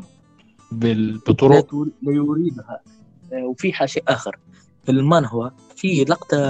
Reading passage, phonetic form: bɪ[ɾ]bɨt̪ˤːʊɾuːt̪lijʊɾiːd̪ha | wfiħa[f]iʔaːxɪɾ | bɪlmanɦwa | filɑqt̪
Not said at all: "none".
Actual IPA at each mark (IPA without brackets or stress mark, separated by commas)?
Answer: none, ʃ